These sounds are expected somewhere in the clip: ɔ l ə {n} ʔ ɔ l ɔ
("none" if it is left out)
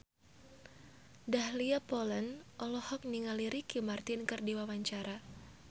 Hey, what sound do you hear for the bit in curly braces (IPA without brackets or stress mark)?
n